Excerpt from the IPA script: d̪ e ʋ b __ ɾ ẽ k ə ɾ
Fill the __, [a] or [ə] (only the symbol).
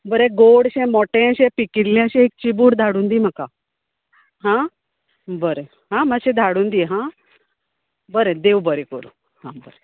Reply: ə